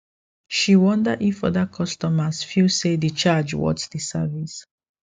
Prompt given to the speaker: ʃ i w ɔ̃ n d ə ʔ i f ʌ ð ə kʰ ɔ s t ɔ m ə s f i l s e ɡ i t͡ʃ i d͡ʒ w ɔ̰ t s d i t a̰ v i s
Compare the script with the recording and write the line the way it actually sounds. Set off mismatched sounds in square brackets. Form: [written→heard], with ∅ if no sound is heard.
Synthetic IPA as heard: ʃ i w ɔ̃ n d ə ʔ i f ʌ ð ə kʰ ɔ s t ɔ m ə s f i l s e [ɡ→d] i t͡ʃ [i→a] d͡ʒ w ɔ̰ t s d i [t→s] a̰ v i s